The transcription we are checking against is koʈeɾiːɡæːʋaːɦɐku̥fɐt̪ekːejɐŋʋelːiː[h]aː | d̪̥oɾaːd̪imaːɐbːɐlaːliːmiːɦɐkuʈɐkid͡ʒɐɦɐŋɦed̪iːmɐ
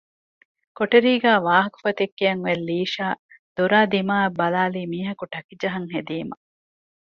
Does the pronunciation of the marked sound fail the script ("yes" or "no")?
yes